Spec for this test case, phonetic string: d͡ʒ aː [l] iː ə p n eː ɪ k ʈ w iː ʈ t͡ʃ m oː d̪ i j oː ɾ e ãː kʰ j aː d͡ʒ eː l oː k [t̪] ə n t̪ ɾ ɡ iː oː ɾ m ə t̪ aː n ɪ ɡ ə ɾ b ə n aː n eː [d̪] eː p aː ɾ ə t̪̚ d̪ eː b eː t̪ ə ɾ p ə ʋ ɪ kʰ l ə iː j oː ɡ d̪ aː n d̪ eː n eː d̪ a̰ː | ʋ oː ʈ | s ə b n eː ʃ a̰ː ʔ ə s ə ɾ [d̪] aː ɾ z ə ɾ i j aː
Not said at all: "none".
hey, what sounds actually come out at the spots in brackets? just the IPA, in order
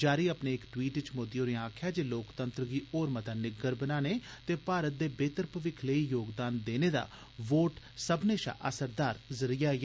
ɾ, t̪, t̪, d̪

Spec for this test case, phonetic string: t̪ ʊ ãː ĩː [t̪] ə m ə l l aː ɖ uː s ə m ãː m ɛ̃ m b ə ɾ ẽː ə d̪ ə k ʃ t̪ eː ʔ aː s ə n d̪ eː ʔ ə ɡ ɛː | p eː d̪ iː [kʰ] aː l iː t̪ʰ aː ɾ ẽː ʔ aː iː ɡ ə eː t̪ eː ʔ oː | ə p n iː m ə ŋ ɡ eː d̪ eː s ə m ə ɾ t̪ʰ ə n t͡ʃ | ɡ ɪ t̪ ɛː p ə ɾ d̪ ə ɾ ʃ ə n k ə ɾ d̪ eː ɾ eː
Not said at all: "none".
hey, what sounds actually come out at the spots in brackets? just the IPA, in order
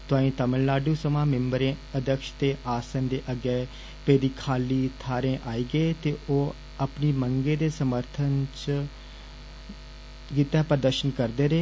t̪, kʰ

